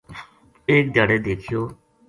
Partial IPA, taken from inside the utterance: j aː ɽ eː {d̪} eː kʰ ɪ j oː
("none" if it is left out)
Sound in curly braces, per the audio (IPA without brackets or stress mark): d̪